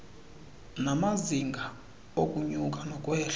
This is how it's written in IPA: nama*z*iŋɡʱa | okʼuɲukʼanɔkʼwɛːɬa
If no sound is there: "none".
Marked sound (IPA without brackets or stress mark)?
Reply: z